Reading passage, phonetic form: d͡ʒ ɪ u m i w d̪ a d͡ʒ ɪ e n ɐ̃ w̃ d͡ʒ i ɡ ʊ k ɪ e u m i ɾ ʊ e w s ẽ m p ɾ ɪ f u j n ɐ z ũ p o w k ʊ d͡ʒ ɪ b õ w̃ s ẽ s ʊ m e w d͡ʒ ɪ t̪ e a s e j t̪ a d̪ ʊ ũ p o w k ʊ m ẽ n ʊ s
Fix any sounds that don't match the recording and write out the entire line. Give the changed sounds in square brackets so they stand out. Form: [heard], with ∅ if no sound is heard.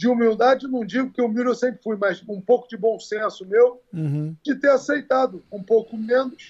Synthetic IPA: d͡ʒ ɪ u m i w d̪ a d͡ʒ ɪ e n ɐ̃ w̃ d͡ʒ i ɡ ʊ k ɪ e [w] m i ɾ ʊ e w s ẽ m p ɾ ɪ f u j [m] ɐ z ũ p o w k ʊ d͡ʒ ɪ b õ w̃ s ẽ s ʊ m e w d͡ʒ ɪ t̪ e a s e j t̪ a d̪ ʊ ũ p o w k ʊ m ẽ n ʊ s